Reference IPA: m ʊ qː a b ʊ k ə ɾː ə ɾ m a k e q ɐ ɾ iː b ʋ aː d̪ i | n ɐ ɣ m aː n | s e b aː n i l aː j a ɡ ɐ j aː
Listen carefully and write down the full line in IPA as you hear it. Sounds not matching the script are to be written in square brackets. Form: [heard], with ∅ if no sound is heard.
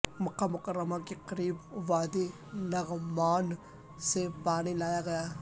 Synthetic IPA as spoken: m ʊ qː a [m] ʊ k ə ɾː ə [∅] m a k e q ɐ ɾ iː b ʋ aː d̪ i | n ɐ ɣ m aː n | s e [p] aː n i l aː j a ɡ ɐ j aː